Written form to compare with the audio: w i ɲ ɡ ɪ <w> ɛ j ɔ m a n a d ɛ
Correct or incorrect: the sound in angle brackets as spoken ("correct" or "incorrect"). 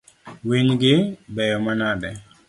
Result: incorrect